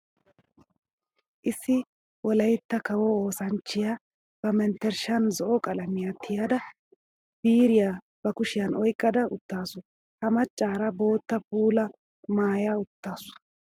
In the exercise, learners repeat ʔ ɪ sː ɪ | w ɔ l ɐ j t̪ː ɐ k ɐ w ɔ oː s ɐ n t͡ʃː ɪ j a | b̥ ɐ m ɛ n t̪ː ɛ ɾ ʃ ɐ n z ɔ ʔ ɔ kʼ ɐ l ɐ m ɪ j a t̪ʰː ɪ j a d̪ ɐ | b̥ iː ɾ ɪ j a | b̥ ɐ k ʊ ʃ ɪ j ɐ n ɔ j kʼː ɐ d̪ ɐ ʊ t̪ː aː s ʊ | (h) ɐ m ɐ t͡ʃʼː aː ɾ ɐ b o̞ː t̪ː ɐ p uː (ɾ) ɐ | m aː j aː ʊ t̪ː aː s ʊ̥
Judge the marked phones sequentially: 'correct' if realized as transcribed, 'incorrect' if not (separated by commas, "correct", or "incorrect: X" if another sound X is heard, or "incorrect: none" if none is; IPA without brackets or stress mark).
correct, incorrect: l